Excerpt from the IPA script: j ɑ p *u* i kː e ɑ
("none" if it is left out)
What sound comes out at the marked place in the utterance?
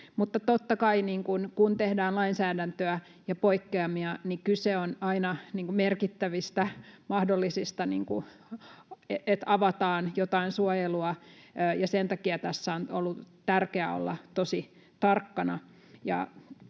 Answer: o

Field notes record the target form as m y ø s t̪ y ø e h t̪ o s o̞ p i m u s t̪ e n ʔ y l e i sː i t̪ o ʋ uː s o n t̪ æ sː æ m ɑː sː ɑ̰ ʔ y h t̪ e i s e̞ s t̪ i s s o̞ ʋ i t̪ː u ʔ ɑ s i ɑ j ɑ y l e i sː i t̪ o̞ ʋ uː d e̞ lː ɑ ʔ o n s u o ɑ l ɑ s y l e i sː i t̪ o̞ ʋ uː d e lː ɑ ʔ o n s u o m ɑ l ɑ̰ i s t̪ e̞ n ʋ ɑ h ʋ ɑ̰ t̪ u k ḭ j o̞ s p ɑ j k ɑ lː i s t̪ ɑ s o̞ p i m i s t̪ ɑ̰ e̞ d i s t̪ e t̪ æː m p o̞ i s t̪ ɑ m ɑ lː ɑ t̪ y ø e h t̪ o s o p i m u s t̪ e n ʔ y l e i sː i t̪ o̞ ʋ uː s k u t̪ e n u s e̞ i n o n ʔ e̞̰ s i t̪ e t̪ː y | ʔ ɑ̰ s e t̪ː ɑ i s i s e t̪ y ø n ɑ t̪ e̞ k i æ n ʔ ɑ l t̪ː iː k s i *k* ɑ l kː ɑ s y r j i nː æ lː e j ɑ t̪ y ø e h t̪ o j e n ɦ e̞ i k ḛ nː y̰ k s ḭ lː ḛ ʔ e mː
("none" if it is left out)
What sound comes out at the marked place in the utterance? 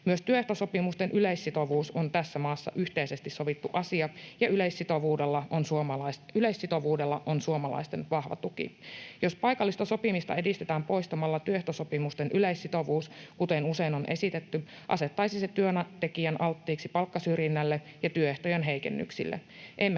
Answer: p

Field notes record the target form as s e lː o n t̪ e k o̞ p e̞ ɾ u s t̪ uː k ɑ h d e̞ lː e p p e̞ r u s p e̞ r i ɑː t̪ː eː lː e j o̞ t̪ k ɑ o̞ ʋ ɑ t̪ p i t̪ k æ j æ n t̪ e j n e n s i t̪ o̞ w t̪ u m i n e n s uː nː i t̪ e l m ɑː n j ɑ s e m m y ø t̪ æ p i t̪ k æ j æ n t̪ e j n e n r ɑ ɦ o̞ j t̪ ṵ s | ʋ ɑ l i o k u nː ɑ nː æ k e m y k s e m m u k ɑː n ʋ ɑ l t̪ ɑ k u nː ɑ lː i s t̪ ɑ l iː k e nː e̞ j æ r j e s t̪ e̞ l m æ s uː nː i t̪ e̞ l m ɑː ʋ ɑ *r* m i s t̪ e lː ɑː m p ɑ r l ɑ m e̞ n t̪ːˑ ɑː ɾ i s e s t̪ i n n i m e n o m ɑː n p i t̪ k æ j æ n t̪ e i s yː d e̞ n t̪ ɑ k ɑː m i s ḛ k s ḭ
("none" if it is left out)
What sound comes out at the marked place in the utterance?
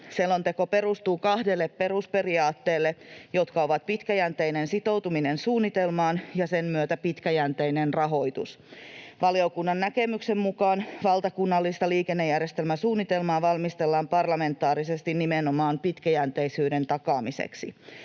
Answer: l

